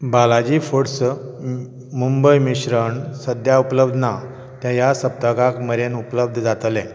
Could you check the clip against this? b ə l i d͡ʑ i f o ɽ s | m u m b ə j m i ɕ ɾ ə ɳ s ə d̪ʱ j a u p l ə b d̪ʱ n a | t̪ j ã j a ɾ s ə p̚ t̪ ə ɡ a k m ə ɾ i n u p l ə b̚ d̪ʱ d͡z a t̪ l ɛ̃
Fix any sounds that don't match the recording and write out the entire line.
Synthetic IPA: b a l a d͡ʑ i f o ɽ s | m u m b ə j m i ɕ ɾ ə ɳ s ə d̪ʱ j a u p l ə b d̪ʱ n a | t̪ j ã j a s ə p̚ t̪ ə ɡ a k m ə ɾ e n u p l ə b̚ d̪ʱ d͡z a t̪ l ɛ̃